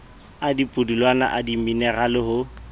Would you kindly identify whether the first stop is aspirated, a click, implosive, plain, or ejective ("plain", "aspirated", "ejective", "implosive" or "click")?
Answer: plain